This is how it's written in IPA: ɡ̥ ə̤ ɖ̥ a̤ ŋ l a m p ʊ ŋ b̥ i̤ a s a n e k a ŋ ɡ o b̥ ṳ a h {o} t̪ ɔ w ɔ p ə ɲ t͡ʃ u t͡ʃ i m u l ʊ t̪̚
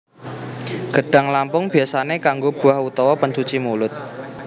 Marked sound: incorrect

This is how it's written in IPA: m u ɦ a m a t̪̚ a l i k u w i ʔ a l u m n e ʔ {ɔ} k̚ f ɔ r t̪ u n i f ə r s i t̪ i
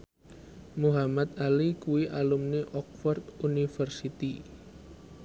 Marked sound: correct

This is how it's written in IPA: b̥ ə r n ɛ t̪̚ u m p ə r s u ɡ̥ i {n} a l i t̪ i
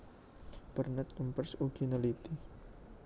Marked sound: correct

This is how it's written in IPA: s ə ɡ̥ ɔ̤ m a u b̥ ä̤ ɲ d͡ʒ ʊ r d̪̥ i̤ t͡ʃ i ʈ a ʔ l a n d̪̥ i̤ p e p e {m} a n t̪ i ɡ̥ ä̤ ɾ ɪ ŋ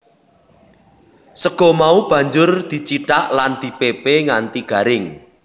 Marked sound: incorrect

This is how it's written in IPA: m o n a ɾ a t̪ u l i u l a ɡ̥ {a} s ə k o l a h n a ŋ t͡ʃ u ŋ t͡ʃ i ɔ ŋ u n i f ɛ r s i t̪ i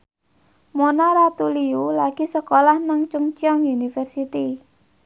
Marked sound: incorrect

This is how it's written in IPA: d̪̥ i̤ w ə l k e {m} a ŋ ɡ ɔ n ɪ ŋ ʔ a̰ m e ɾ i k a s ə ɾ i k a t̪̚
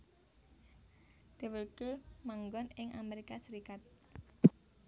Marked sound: correct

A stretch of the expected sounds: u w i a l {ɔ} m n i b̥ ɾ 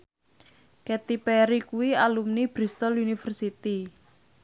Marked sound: incorrect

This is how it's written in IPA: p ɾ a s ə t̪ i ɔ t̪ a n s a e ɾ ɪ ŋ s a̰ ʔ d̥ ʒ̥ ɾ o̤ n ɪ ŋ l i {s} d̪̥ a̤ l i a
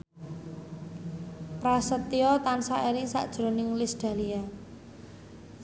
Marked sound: correct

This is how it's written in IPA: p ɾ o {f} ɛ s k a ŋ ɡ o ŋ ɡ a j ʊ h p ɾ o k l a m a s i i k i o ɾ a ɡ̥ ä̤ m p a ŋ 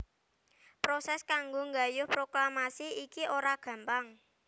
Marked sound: incorrect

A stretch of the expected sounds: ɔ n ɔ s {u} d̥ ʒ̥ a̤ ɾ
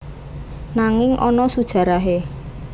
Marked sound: correct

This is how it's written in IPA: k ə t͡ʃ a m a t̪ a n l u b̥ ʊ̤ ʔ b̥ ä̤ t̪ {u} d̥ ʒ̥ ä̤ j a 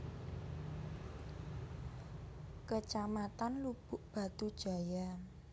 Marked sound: correct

